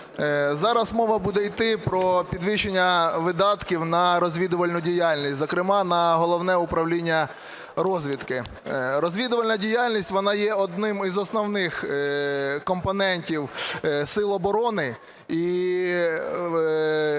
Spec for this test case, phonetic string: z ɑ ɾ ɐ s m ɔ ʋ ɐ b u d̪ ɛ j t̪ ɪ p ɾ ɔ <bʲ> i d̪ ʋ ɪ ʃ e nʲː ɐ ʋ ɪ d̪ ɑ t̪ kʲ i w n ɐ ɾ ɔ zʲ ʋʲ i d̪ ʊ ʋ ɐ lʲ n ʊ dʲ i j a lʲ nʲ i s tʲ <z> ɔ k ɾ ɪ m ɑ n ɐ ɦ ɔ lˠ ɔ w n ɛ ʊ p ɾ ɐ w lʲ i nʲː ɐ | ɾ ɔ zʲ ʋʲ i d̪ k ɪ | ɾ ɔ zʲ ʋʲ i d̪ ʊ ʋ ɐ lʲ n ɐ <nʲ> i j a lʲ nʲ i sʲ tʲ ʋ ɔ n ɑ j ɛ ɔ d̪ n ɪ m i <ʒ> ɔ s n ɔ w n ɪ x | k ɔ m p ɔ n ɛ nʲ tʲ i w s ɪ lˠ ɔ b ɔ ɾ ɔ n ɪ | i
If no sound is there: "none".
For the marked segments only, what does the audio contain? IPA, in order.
pʲ, z, dʲ, z

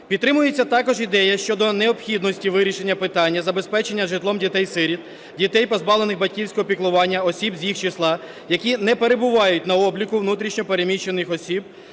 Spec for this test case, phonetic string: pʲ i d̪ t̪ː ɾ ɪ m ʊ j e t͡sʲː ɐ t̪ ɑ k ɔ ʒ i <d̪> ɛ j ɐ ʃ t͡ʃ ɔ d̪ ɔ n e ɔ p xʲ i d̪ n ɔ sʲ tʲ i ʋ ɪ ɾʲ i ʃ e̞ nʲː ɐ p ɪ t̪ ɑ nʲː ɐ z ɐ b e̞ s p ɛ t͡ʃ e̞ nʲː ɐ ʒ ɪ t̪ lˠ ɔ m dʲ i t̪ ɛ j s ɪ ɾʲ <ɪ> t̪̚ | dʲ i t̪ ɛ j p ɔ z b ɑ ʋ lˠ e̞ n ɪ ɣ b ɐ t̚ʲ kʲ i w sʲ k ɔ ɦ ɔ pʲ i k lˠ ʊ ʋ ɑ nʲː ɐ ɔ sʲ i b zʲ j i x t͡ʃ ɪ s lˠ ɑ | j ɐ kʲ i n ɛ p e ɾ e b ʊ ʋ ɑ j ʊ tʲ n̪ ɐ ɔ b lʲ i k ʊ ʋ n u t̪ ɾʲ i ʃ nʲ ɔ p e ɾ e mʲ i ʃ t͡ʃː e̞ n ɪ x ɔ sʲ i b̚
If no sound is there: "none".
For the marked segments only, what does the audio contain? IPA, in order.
d̪, i

